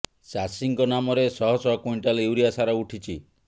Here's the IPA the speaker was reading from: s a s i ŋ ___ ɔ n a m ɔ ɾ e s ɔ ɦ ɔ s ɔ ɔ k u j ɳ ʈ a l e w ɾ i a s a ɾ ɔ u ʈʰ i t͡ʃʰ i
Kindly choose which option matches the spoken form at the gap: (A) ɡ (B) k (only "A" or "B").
B